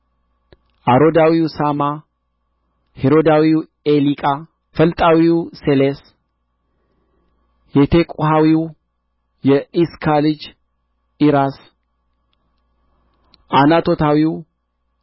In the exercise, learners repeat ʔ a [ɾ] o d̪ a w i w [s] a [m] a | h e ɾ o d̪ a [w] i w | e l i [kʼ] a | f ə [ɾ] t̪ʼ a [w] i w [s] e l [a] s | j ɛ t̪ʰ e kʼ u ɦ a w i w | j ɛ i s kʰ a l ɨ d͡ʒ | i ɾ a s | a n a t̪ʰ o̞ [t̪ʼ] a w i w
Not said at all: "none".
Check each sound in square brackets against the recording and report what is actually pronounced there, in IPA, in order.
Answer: ɾ, s, m, w, kʼ, l, w, s, e, t̪

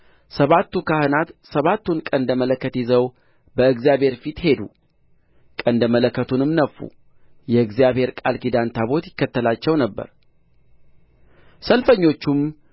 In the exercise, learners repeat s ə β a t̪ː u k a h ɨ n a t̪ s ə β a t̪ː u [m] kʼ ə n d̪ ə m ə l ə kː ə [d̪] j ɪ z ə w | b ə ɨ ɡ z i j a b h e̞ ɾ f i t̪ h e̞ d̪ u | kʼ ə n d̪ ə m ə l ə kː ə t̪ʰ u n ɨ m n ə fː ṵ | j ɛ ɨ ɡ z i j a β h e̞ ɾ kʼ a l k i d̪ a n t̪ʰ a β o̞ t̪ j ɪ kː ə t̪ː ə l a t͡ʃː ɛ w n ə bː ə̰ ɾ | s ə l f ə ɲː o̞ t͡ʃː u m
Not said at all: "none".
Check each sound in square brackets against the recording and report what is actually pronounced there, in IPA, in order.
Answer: n, t̪

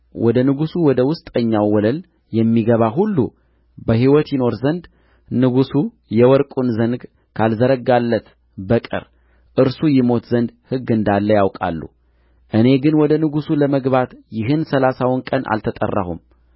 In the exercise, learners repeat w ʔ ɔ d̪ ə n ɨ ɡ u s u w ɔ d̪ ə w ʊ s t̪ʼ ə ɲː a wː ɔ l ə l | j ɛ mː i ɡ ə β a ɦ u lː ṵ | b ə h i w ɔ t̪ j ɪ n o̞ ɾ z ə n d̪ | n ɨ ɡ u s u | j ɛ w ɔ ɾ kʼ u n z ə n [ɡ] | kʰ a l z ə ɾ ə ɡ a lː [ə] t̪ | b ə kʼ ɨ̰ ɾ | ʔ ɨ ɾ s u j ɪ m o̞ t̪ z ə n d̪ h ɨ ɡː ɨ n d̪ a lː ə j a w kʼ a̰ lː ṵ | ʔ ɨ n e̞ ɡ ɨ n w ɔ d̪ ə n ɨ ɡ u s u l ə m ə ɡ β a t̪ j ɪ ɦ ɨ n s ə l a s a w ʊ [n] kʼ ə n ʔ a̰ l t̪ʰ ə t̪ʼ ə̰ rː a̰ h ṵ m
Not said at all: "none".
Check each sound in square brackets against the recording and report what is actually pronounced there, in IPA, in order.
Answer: ɡ, ə, n

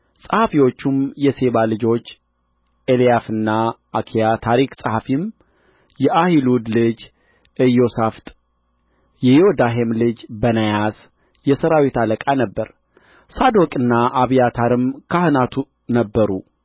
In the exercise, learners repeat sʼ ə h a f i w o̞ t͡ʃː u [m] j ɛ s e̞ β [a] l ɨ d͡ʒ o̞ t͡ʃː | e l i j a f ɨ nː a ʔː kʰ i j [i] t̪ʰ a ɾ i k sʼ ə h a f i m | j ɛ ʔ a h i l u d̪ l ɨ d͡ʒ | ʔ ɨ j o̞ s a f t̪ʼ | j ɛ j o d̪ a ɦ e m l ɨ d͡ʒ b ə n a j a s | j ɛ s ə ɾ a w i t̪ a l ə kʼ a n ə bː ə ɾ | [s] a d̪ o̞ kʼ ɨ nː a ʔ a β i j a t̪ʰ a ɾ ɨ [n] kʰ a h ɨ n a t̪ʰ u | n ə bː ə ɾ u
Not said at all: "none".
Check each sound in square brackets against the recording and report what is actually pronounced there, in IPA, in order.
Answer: m, a, a, s, m

